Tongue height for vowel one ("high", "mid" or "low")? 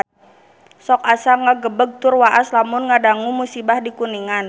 mid